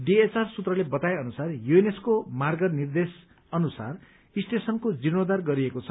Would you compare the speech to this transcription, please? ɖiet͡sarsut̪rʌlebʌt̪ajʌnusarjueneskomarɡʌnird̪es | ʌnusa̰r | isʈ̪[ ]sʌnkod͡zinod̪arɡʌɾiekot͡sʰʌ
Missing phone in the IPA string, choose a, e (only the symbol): e